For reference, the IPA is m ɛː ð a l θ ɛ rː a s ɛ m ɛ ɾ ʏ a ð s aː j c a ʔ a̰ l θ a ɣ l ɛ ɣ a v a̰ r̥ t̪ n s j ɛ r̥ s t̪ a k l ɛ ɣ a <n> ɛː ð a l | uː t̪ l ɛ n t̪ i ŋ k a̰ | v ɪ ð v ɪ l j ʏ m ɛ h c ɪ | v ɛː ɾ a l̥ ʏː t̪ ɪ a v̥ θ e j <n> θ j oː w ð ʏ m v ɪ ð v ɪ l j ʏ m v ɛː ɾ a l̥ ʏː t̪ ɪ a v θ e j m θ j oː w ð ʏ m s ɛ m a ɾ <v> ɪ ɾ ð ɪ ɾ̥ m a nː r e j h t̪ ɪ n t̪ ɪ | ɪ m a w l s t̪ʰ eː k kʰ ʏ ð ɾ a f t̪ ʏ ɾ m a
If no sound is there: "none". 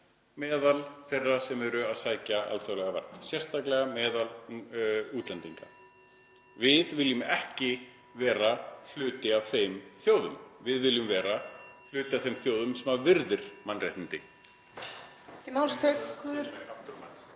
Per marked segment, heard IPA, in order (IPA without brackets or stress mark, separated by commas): m, m, v